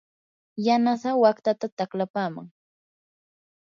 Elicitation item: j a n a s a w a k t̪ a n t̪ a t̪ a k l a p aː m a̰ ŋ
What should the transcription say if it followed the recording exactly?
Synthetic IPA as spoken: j a n a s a w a k t̪ a t̪ a t̪ a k l a p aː m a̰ ŋ